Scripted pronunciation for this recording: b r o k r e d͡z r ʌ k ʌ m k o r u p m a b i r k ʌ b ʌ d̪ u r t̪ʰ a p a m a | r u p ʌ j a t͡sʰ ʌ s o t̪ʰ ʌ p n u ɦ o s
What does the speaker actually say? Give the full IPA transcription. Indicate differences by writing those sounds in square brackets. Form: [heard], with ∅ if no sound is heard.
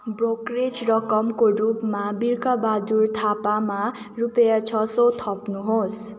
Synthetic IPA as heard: b r o k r e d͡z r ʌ k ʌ m k o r u p m a b i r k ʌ b [a] d̪ u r t̪ʰ a p a m a | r u p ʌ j a t͡sʰ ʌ s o t̪ʰ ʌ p n u ɦ o s